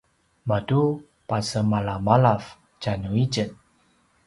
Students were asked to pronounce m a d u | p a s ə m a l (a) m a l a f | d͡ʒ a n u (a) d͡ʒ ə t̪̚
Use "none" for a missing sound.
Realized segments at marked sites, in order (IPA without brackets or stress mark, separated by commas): a, i